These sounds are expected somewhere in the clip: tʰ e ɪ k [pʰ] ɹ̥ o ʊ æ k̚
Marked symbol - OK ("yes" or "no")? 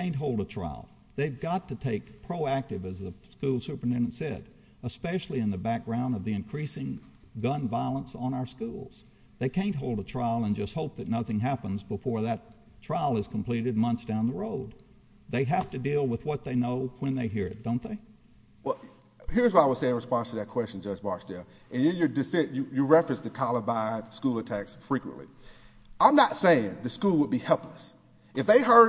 yes